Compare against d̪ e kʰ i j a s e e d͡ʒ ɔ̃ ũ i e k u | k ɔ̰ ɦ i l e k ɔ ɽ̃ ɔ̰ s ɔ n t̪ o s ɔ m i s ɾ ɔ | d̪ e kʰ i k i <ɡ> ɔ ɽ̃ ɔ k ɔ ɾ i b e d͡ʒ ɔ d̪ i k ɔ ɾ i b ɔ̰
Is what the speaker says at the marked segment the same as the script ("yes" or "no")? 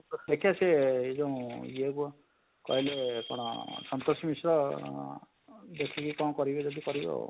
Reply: no